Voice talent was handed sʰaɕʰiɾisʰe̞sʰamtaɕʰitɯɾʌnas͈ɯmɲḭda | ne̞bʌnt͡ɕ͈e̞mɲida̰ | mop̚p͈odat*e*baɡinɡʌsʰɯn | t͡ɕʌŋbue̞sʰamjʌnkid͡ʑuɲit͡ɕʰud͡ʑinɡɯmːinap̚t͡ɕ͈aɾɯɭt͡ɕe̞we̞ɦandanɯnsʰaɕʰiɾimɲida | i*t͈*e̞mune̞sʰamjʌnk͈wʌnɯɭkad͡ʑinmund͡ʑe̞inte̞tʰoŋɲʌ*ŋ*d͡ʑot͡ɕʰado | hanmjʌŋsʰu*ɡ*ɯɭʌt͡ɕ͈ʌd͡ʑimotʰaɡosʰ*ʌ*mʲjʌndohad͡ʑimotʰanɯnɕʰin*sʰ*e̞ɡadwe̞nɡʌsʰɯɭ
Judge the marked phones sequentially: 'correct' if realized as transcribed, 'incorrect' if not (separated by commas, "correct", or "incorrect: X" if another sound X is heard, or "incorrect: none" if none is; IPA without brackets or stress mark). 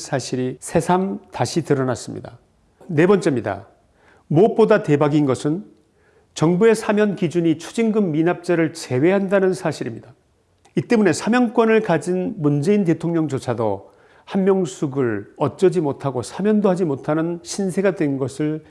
correct, correct, correct, correct, incorrect: a, correct